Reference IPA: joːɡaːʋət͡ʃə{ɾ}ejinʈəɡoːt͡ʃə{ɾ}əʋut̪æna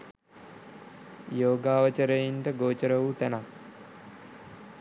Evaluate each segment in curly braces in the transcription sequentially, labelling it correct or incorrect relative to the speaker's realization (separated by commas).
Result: correct, correct